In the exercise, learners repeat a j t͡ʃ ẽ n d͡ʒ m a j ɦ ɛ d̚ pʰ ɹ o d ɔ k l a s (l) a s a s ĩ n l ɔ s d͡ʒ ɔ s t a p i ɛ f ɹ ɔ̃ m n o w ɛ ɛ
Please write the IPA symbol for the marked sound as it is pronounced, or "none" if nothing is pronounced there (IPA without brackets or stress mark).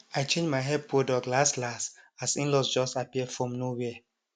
l